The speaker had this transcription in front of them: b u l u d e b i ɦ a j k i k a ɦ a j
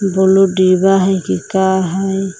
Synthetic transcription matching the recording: b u l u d i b a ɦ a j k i k a ɦ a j